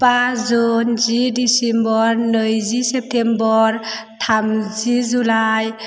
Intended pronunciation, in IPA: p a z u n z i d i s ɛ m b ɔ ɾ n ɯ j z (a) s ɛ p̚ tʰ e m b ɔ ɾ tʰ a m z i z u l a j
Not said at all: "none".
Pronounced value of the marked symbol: i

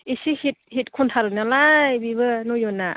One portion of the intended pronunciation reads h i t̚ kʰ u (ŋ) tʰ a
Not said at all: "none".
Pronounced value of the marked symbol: n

